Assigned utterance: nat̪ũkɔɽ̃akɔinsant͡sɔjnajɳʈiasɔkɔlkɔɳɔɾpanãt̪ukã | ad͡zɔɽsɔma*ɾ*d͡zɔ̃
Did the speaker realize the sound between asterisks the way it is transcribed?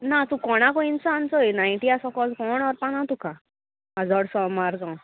yes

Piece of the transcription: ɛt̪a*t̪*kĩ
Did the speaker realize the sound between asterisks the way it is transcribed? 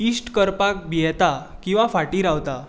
no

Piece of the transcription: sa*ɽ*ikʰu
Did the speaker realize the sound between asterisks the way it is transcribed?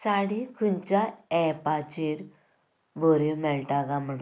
yes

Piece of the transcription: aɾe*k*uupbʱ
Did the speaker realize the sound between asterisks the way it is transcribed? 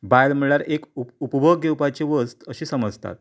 yes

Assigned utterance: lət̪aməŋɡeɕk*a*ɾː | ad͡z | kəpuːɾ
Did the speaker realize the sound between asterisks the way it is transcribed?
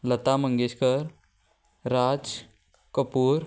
no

